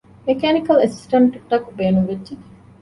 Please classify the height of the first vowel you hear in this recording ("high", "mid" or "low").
mid